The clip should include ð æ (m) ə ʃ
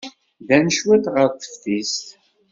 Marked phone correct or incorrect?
incorrect: n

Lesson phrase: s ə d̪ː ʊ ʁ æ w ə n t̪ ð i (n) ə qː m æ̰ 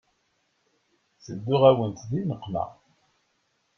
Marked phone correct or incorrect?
correct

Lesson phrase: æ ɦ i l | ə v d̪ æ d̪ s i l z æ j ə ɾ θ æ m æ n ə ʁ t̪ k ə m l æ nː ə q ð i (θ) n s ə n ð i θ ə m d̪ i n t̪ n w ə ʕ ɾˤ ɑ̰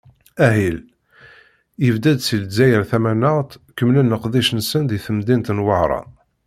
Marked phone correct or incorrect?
incorrect: ʃ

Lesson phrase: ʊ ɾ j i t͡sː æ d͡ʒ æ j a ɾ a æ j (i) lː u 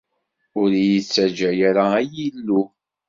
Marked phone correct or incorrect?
correct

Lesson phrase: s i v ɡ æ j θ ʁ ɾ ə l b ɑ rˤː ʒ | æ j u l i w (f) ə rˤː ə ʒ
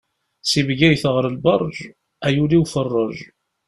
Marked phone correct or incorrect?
correct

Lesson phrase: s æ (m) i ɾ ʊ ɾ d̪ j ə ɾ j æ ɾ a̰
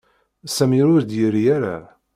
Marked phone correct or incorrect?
correct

